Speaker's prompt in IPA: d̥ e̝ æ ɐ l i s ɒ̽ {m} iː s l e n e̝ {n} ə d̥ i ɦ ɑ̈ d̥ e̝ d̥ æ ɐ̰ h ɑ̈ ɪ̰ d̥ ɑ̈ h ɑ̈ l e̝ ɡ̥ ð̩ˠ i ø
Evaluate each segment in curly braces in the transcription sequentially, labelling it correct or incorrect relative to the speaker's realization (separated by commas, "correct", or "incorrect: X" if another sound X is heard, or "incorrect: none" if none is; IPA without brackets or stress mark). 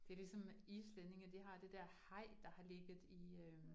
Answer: correct, incorrect: ŋ